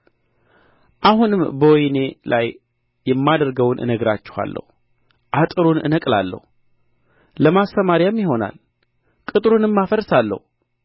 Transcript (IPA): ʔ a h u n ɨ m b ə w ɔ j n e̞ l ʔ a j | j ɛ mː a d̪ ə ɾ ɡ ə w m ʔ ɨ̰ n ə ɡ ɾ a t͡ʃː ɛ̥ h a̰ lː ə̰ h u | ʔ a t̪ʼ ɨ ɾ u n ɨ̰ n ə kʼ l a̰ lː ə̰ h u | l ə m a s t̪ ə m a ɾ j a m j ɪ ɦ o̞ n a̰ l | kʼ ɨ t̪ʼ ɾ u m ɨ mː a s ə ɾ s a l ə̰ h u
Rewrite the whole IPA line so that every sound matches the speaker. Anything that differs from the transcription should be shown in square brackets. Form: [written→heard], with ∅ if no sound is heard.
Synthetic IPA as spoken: ʔ a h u n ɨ m b ə w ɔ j n e̞ l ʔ a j | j ɛ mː a d̪ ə ɾ ɡ ə w [m→n] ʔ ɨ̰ n ə ɡ ɾ a t͡ʃː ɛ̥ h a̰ lː ə̰ h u | ʔ a t̪ʼ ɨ ɾ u n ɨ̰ n ə kʼ l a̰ lː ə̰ h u | l ə m a s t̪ ə m a ɾ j a m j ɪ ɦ o̞ n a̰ l | kʼ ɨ t̪ʼ ɾ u [m→n] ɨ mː a [s→f] ə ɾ s a [l→lː] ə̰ h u